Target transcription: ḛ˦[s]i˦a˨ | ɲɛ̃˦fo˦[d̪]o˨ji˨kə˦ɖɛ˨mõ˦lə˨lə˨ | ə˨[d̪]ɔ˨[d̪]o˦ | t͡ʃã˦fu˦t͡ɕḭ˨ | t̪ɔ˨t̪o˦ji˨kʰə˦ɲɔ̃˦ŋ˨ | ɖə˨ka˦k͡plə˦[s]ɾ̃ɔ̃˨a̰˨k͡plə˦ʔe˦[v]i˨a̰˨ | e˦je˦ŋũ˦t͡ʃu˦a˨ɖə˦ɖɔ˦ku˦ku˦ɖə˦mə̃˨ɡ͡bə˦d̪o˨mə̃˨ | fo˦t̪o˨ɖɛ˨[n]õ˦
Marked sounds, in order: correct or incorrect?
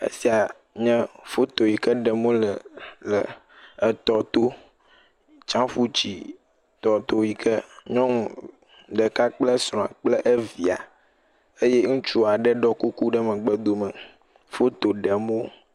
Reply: correct, incorrect, incorrect, incorrect, correct, correct, incorrect

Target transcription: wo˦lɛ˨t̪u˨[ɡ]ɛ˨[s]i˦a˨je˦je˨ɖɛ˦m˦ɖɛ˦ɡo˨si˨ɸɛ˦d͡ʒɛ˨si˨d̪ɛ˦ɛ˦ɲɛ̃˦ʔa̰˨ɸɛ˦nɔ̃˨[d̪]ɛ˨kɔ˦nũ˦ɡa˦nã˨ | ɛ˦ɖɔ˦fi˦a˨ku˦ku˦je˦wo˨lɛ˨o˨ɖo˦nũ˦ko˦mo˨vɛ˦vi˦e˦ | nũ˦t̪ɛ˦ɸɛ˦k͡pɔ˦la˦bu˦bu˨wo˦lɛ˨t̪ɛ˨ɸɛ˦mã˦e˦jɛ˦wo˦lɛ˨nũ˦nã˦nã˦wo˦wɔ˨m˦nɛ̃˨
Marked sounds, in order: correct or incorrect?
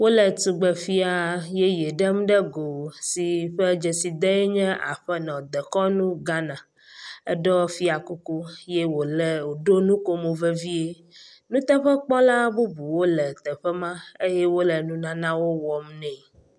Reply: incorrect, incorrect, correct

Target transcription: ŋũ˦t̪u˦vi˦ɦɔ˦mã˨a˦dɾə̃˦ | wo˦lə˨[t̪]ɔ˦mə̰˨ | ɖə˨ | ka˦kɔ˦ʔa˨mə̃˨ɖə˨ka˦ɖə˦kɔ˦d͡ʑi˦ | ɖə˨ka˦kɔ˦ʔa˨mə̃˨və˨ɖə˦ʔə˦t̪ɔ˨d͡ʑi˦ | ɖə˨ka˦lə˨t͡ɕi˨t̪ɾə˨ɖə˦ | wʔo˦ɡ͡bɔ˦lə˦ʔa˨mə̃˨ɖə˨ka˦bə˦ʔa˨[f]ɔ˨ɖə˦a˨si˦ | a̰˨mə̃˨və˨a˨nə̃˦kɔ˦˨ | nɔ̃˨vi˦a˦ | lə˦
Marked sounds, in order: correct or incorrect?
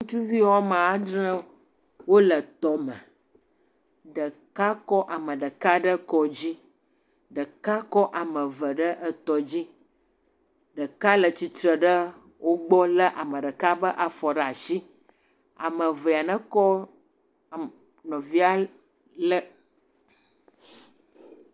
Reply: correct, correct

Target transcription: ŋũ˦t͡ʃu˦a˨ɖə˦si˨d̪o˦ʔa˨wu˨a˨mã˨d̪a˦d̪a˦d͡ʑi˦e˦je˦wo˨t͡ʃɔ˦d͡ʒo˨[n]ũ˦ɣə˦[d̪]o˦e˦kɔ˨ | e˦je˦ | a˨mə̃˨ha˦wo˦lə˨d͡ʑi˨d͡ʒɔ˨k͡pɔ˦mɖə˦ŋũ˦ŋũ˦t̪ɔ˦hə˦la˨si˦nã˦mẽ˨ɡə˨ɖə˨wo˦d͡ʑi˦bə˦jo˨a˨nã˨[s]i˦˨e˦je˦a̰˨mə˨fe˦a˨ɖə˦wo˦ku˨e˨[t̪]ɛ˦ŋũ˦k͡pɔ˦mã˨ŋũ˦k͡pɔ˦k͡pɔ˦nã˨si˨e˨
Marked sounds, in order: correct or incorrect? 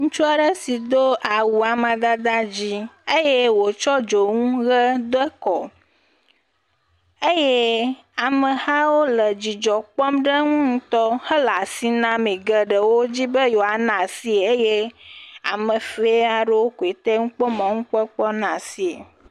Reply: incorrect, correct, correct, correct

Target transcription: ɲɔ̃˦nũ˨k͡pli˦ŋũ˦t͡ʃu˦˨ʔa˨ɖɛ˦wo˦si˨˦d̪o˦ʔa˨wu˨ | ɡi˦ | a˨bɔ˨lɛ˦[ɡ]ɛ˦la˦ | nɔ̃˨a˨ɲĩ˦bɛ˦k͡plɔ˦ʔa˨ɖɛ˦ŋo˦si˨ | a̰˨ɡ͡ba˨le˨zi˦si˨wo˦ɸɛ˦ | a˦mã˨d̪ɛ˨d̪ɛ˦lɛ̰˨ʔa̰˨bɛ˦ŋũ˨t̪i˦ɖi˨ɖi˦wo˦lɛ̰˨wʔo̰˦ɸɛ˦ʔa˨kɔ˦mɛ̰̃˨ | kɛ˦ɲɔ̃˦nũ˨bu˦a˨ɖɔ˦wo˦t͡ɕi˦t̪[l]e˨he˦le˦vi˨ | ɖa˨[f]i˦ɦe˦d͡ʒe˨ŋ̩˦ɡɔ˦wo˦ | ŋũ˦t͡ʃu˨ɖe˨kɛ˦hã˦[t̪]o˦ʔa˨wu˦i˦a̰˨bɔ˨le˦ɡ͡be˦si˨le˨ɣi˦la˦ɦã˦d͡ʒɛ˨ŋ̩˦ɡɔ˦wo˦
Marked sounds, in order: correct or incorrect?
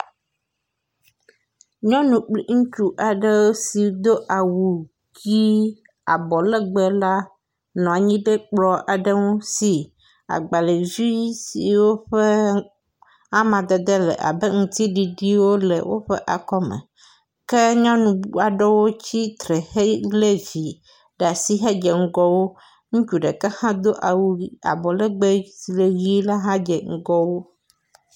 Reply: incorrect, incorrect, incorrect, incorrect

